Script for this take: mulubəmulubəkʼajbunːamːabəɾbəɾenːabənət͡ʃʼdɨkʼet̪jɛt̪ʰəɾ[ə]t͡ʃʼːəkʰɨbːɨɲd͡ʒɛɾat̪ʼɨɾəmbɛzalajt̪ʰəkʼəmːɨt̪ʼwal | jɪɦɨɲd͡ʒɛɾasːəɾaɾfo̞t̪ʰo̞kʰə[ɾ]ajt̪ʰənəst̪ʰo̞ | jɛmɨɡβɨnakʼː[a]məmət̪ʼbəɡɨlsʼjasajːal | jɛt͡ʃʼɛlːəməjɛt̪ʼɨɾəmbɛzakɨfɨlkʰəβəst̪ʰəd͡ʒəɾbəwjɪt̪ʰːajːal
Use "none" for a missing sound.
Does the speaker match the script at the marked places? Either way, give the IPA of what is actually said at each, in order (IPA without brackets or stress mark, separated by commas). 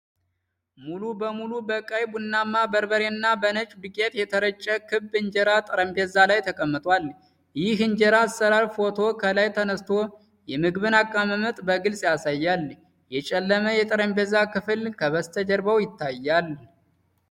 ə, l, a